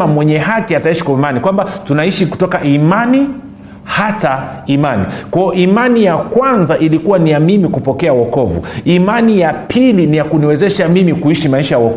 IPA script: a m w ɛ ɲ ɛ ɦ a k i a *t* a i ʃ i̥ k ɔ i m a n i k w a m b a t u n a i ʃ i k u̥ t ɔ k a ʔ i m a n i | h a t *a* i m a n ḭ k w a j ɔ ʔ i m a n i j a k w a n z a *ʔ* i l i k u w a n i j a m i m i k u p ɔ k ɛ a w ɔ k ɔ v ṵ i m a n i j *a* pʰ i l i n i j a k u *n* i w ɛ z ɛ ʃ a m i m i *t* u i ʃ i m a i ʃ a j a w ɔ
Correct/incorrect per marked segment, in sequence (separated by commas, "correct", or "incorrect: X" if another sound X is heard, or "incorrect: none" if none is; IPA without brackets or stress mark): correct, correct, correct, correct, correct, incorrect: k